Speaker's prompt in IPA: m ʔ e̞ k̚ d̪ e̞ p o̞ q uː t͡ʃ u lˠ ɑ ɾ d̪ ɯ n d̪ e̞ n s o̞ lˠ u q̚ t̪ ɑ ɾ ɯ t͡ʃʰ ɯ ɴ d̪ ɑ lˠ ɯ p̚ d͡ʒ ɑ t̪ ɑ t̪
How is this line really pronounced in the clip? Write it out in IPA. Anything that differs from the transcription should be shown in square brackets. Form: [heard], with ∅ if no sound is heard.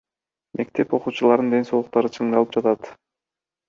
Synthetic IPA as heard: m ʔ e̞ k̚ [t̪] e̞ p o̞ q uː t͡ʃ u lˠ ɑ ɾ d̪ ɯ n d̪ e̞ n s o̞ lˠ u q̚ t̪ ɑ ɾ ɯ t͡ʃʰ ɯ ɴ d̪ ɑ lˠ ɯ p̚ d͡ʒ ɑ t̪ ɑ t̪